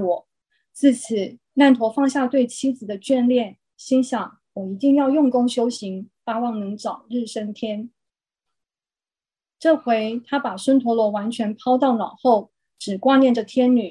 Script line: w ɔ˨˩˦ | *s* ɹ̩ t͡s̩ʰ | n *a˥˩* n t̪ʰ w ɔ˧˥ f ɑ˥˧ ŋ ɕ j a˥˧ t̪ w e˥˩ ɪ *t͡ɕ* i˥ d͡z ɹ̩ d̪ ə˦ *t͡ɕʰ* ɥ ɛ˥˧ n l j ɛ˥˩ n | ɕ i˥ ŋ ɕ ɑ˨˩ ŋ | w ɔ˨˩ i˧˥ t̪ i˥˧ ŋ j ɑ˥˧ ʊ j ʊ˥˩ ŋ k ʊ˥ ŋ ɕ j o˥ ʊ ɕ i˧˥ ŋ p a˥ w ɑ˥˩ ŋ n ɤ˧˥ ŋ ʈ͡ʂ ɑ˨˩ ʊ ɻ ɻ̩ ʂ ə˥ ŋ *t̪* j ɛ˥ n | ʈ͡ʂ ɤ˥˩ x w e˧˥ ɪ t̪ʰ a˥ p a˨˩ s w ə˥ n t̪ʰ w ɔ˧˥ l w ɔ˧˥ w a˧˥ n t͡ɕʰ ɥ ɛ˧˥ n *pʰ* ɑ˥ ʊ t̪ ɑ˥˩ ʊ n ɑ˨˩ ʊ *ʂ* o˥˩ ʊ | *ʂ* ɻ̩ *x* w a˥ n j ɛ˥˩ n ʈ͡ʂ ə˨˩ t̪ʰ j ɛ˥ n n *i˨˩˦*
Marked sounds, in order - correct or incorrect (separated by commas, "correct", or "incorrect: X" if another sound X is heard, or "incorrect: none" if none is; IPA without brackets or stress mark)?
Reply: incorrect: t͡s, correct, incorrect: t͡ɕʰ, incorrect: t͡ɕ, incorrect: t̪ʰ, correct, incorrect: x, incorrect: ʈ͡ʂ, incorrect: k, incorrect: y˨˩˦